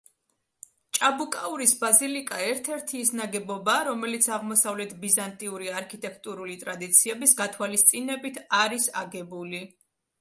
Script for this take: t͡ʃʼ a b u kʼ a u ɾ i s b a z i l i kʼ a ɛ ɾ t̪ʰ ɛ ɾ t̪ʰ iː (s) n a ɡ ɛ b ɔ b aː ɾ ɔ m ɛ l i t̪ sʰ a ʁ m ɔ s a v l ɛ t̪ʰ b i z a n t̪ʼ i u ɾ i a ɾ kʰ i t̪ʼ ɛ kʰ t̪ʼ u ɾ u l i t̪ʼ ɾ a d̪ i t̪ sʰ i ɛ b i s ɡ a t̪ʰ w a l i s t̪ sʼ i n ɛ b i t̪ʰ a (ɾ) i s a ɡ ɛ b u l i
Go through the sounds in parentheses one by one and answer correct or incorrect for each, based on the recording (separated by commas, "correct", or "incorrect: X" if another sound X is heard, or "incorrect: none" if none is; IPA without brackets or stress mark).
correct, correct